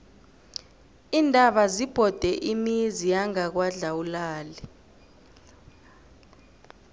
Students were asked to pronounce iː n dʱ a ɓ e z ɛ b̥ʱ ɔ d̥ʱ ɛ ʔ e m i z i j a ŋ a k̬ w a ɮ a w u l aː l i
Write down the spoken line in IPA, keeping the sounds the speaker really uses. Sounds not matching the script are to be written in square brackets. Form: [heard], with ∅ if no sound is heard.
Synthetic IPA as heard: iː n dʱ a ɓ [a] z [i] b̥ʱ ɔ d̥ʱ ɛ ʔ [i] m i z i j a ŋ a k̬ w a ɮ a w u l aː l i